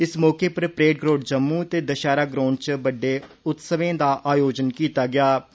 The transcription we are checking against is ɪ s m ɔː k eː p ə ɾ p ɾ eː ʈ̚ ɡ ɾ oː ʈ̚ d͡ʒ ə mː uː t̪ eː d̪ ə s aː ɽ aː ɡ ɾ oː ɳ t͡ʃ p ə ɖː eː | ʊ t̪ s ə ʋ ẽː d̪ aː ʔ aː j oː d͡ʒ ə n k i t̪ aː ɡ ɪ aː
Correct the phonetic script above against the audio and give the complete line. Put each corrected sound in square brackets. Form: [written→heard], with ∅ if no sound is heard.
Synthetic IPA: ɪ s m ɔː k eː p ə ɾ p ɾ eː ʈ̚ ɡ ɾ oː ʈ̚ d͡ʒ ə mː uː t̪ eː d̪ ə [s→ʃ] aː [ɽ→ɾ] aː ɡ ɾ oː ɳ t͡ʃ [p→b] ə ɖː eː | ʊ t̪ s ə ʋ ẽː d̪ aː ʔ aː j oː d͡ʒ ə n k [i→iː] t̪ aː ɡ ɪ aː